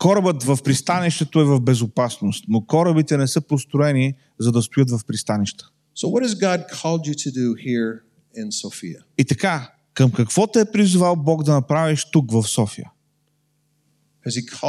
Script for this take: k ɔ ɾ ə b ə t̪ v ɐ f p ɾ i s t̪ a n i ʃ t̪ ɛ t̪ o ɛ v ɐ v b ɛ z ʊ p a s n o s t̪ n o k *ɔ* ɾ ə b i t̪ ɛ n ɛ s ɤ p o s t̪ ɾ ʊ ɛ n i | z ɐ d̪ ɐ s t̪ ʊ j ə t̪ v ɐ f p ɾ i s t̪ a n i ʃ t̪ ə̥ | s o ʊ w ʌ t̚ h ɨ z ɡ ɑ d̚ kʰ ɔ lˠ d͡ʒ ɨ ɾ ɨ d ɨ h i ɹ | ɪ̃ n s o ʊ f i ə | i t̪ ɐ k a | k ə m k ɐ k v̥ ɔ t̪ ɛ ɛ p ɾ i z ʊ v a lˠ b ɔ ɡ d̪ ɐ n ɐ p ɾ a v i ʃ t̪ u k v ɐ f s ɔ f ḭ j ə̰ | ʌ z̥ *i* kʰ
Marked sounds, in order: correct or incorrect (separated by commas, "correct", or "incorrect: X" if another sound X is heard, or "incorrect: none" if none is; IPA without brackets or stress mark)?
correct, correct